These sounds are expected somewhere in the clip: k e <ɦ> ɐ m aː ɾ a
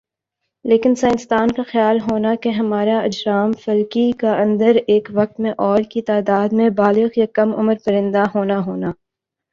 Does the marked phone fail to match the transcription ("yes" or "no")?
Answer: no